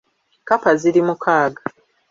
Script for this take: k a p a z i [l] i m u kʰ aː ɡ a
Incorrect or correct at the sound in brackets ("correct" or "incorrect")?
incorrect